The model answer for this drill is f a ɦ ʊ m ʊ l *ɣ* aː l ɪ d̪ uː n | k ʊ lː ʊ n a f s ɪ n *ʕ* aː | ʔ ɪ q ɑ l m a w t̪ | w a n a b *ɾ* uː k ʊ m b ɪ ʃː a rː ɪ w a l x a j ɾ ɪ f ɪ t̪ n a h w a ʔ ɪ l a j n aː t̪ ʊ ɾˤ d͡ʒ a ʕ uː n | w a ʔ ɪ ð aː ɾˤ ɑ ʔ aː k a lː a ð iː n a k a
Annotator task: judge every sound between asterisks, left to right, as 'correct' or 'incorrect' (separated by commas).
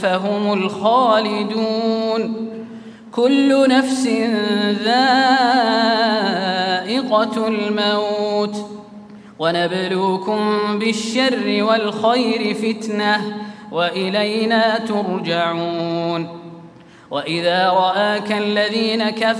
incorrect, incorrect, incorrect